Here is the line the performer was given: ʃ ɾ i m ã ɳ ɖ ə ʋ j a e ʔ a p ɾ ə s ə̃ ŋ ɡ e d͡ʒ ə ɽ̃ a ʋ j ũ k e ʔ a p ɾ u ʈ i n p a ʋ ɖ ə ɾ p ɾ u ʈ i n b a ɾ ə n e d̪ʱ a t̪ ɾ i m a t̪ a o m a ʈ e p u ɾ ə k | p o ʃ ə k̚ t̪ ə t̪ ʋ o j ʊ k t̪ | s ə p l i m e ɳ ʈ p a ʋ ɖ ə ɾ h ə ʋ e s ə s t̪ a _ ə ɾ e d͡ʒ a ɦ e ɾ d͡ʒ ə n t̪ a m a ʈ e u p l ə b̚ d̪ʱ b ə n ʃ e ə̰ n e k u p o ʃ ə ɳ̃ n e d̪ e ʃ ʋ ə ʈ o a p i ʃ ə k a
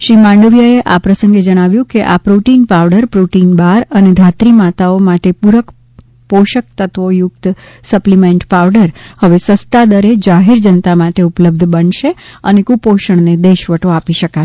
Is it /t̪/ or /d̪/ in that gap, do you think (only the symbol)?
d̪